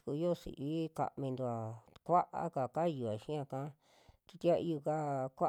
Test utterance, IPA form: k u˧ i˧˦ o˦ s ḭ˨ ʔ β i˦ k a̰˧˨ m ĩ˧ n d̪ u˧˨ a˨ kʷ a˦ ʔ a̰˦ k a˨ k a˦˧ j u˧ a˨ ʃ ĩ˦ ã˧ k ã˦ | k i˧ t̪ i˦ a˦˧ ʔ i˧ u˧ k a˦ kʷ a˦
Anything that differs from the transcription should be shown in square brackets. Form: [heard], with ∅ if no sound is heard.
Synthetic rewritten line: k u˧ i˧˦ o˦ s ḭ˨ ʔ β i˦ k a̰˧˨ m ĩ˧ n d̪ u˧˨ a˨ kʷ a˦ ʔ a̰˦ k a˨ k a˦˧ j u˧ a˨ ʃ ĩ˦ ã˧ k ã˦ | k i˧ t̪ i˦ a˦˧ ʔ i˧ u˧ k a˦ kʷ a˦